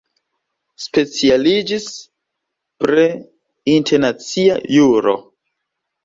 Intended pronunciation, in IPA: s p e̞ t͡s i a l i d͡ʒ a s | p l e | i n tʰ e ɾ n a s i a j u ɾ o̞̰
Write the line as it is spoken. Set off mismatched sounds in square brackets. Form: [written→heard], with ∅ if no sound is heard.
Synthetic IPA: s p e̞ t͡s i a l i d͡ʒ [a→i] s | p [l→ɾ] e | i n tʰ e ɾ n a [s→t͡s] i a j u ɾ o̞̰

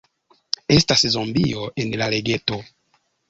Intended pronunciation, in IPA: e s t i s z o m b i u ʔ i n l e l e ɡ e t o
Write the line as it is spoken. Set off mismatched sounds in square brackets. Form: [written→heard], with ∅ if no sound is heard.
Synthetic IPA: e s t [i→a] s z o m b i [u→o] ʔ [i→e] n l [e→a] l e ɡ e t o

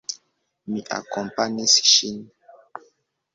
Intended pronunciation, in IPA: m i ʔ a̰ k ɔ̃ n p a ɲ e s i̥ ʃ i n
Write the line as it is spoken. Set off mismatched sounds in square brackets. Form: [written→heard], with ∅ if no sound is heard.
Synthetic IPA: m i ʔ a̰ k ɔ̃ [n→m] p a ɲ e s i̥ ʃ i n

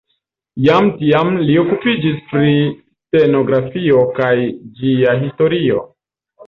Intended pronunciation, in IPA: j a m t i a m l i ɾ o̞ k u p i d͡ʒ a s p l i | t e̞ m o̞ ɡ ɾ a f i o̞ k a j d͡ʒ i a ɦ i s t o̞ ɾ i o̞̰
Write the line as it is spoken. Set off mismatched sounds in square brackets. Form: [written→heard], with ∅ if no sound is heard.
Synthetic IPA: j a m t i a m l i [ɾ→∅] o̞ k u p i d͡ʒ [a→i] s p [l→ɾ] i | t e̞ [m→n] o̞ ɡ ɾ a f i o̞ k a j d͡ʒ i a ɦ i s t o̞ ɾ i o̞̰

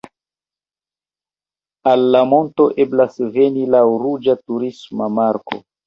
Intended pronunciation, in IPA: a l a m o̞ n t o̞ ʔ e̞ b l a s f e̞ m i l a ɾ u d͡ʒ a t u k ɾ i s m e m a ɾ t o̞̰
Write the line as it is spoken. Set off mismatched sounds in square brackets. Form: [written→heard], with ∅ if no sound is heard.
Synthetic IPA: a [l→lː] a m o̞ n t o̞ ʔ e̞ b l a s [f→v] e̞ [m→n] i l a ɾ u d͡ʒ a t u [k→∅] ɾ i s m [e→a] m a ɾ [t→k] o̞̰

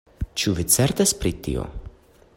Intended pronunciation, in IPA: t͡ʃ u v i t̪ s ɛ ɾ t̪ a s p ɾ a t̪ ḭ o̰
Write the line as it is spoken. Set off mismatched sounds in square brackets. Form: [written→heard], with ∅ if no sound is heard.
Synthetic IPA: t͡ʃ u v i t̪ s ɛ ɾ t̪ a s p ɾ [a→i] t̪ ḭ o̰

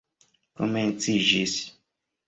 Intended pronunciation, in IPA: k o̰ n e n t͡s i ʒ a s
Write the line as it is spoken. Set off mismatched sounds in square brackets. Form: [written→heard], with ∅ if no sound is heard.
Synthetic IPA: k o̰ [n→m] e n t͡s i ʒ [a→i] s

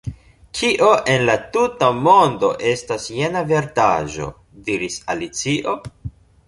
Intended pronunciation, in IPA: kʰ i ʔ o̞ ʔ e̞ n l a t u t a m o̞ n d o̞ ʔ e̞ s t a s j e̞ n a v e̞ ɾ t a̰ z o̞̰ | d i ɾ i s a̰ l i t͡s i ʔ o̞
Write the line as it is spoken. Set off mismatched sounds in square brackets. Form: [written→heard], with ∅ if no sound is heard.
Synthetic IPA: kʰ i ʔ o̞ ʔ e̞ n l a t u t a m o̞ n d o̞ ʔ e̞ s t a s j e̞ n a v e̞ ɾ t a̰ [z→ʒ] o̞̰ | d i ɾ i s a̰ l i t͡s i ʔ o̞

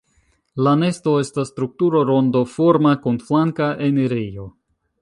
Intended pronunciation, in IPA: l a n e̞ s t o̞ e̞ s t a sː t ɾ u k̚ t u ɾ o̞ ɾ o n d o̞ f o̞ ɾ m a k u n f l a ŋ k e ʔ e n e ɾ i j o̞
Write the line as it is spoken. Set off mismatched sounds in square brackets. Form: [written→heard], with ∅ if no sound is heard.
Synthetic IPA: l a n e̞ s t o̞ e̞ s t a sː t ɾ u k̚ t u ɾ o̞ ɾ o n d o̞ f o̞ ɾ m a k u n f l a ŋ k [e→a] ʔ e n e ɾ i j o̞

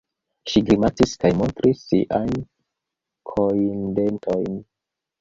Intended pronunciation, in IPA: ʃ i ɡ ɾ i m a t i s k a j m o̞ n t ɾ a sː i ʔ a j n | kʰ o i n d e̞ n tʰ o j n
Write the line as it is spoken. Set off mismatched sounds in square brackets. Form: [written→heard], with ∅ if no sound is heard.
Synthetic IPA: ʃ i ɡ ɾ i m a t i s k a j m o̞ n t ɾ [a→i] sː i ʔ a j n | kʰ o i n d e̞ n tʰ o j n

